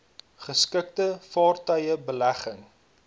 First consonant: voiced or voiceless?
voiceless